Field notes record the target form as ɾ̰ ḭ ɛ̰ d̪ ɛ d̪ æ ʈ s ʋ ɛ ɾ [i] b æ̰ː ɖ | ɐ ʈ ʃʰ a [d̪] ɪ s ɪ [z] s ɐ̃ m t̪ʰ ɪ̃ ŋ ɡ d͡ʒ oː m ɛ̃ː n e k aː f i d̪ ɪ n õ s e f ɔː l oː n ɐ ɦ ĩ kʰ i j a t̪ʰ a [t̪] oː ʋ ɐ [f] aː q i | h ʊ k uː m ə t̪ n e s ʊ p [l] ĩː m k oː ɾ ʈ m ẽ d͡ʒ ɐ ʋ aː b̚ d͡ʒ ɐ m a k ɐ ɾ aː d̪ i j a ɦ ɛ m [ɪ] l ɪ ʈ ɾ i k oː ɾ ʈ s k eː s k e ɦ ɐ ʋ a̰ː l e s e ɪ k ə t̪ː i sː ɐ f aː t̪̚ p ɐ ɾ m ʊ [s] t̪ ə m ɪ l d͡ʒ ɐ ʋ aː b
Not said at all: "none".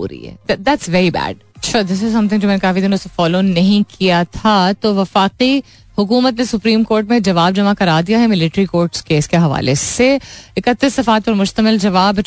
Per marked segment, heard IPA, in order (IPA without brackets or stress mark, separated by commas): i, d̪, z, t̪, f, ɾ, ɪ, ʃ